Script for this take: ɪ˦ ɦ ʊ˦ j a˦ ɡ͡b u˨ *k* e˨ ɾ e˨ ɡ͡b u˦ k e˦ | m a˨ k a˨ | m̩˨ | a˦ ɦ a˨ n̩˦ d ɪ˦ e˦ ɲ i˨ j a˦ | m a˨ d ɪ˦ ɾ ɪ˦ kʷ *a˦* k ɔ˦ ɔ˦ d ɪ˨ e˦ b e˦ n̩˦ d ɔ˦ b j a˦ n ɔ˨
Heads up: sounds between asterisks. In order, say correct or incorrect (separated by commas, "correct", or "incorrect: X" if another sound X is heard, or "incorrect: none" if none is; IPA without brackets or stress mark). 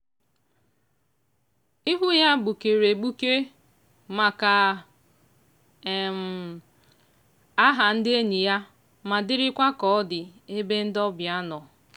correct, correct